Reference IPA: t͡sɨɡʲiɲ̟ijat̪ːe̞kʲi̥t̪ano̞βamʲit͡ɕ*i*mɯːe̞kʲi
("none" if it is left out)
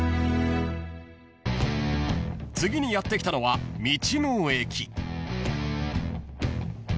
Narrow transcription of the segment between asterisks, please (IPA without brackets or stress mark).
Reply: i